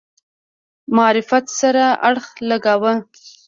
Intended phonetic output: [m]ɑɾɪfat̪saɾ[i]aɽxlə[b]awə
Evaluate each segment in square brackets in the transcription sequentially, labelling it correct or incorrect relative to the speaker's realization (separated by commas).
correct, incorrect, incorrect